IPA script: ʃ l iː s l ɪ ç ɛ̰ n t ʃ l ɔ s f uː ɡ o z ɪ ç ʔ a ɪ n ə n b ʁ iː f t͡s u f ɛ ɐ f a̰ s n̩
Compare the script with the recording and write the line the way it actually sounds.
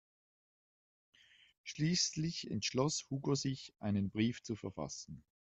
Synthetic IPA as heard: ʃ l iː s l ɪ ç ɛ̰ n t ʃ l ɔ s h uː ɡ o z ɪ ç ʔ a ɪ n ə n b ʁ iː f t͡s u f ɛ ɐ f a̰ s n̩

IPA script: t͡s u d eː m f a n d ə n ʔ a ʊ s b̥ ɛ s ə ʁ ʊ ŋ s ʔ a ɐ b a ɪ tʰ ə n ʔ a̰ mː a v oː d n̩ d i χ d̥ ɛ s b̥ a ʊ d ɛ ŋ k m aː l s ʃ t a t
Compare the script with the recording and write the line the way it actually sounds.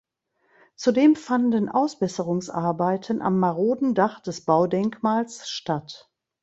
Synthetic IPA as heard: t͡s u d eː m f a n d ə n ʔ a ʊ s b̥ ɛ s ə ʁ ʊ ŋ s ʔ a ɐ b a ɪ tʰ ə n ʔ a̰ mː a ʁ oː d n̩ d a χ d̥ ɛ s b̥ a ʊ d ɛ ŋ k m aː l s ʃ t a t

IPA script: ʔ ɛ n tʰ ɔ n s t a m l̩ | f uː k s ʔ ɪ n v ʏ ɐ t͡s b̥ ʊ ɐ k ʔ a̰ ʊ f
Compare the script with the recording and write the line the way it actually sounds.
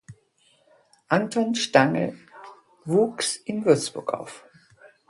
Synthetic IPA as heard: ʔ a n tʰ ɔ n ʃ t a ŋ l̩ | v uː k s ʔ ɪ n v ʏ ɐ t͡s b̥ ʊ ɐ k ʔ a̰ ʊ f

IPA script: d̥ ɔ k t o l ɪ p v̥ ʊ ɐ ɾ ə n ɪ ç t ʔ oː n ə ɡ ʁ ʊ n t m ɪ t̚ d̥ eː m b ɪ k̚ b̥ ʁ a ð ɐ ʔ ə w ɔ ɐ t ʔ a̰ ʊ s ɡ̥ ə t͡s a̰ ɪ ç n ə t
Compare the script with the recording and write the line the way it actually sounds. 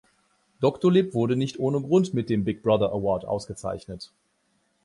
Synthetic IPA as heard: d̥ ɔ k t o l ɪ p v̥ ʊ ɐ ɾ ə n ɪ ç t ʔ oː n ə ɡ ʁ ʊ n t m ɪ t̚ d̥ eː m b ɪ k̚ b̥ ʁ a ð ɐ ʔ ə w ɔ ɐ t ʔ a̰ ʊ s ɡ̥ ə t͡s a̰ ɪ ç n ə t

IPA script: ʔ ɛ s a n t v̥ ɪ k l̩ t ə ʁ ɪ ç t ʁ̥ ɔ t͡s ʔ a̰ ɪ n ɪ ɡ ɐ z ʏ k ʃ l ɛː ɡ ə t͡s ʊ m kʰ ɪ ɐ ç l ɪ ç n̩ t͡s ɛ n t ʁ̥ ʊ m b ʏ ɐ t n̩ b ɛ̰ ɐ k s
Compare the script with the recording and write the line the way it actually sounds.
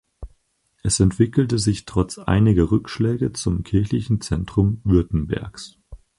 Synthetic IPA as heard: ʔ ɛ s ɛ n t v̥ ɪ k l̩ t ə z ɪ ç t ʁ̥ ɔ t͡s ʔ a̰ ɪ n ɪ ɡ ɐ ʁ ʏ k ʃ l ɛː ɡ ə t͡s ʊ m kʰ ɪ ɐ ç l ɪ ç n̩ t͡s ɛ n t ʁ̥ ʊ m v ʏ ɐ t n̩ b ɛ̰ ɐ k s

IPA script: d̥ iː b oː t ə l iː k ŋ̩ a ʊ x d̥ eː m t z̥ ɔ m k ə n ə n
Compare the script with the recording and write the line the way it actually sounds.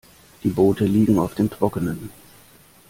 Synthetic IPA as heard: d̥ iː b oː t ə l iː ɡ ŋ̩ a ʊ f d̥ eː m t ʁ̥ ɔ k ə n ə n

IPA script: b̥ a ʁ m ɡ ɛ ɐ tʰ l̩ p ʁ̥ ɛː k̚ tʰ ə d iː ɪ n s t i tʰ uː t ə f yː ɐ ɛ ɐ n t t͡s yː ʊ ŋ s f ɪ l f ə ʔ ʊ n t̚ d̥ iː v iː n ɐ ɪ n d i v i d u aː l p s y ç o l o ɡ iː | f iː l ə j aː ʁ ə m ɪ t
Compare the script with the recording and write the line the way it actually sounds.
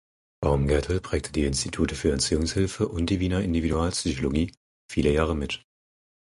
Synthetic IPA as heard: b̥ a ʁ m ɡ ɛ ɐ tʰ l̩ p ʁ̥ ɛː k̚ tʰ ə d iː ɪ n s t i tʰ uː t ə f yː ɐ ɛ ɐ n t t͡s yː ʊ ŋ s h ɪ l f ə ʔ ʊ n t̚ d̥ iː v iː n ɐ ɪ n d i v i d u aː l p s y ç o l o ɡ iː | f iː l ə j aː ʁ ə m ɪ t

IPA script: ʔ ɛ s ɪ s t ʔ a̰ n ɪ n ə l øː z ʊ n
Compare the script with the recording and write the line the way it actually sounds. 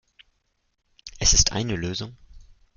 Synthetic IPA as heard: ʔ ɛ s ɪ s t ʔ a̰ ɪ n ə l øː z ʊ ŋ

